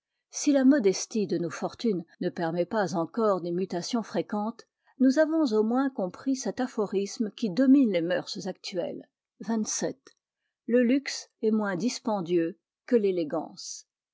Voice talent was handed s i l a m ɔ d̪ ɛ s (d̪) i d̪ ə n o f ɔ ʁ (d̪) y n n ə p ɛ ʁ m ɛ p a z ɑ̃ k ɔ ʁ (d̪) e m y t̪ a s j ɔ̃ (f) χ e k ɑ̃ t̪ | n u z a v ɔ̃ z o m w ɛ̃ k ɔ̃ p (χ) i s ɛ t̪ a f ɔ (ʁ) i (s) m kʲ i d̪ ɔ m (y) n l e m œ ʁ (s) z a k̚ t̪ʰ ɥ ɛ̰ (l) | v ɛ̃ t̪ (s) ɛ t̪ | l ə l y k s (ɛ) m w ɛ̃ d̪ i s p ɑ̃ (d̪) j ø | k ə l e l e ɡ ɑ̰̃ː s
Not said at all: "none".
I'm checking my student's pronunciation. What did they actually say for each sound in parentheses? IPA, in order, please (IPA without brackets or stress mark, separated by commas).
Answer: t̪, t̪, d̪, f, χ, ʁ, s, i, s, l, s, ɛ, d̪